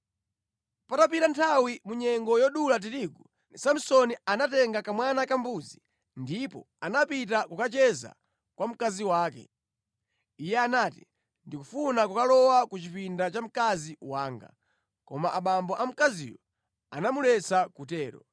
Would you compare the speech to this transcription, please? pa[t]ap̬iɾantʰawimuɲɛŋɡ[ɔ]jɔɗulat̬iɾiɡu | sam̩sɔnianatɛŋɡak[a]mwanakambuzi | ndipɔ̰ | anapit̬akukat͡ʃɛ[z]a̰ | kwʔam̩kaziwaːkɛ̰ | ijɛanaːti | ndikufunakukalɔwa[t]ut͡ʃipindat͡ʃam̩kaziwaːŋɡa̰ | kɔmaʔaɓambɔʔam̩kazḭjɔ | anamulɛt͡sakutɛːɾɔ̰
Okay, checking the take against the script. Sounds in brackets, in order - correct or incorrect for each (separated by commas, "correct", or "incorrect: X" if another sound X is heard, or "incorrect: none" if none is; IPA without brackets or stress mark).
correct, correct, correct, correct, incorrect: k